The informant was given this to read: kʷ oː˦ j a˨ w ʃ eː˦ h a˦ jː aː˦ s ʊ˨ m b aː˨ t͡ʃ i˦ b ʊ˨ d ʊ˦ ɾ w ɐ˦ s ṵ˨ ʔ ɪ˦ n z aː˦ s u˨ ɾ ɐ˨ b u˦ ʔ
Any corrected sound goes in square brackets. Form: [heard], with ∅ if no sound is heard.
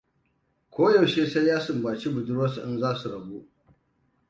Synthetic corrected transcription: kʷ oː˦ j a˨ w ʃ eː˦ [s] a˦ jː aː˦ s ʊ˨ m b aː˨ t͡ʃ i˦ b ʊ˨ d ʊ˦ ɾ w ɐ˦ s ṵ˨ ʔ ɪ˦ n z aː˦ s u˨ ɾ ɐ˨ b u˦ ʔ